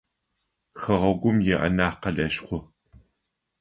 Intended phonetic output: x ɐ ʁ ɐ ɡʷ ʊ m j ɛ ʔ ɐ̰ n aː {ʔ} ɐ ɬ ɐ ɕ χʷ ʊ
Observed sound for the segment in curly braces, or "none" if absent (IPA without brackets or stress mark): q